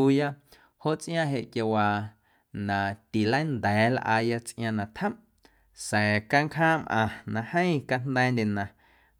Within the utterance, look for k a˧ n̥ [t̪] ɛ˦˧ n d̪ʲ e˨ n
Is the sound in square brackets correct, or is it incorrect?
incorrect